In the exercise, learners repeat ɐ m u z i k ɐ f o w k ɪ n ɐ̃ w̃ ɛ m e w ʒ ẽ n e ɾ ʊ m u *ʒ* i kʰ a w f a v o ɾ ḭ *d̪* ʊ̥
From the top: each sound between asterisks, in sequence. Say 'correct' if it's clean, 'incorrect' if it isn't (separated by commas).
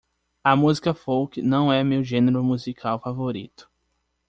incorrect, incorrect